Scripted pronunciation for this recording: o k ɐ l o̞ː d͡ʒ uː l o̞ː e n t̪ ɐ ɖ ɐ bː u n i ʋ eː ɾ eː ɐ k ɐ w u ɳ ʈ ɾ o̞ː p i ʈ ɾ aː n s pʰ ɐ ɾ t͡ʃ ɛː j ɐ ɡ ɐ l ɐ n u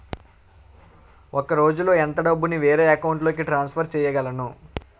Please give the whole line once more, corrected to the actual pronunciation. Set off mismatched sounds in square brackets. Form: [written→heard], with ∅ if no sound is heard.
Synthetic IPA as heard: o k ɐ [l→ɾ] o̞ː d͡ʒ [uː→u] l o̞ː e n t̪ ɐ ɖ ɐ bː u n i ʋ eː ɾ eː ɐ k ɐ w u ɳ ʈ [ɾ→l] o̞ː [p→k] i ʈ ɾ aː n s pʰ ɐ ɾ t͡ʃ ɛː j ɐ ɡ ɐ l ɐ n u